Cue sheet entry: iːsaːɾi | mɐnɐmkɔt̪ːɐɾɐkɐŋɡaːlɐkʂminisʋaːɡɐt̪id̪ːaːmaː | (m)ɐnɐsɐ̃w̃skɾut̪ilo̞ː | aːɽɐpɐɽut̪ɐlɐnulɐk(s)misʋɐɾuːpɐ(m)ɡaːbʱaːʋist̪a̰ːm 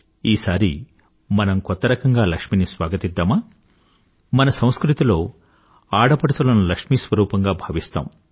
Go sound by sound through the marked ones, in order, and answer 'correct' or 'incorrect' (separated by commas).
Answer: correct, incorrect, incorrect